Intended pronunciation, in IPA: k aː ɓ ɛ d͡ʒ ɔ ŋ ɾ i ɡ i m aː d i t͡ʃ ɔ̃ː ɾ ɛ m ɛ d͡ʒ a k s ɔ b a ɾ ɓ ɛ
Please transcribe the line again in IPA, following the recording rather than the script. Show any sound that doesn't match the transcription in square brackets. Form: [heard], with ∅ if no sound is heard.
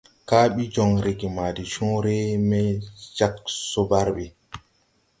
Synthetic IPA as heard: k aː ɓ [i] d͡ʒ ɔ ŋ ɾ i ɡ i m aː d i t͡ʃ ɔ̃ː ɾ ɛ m ɛ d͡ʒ a k s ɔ b a ɾ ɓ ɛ